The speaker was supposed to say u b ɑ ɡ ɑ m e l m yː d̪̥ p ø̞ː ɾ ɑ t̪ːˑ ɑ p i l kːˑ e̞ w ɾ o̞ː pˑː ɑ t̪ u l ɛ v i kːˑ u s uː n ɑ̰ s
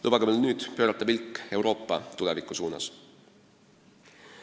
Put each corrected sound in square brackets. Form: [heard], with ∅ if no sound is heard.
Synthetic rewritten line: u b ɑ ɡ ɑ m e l [n] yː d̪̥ p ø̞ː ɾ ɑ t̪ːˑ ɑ p i l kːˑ e̞ w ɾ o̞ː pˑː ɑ t̪ u l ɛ v i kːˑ u s uː n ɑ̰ s